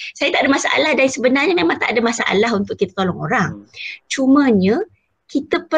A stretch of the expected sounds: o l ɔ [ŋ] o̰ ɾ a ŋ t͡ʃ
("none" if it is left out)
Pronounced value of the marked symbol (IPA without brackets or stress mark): ŋ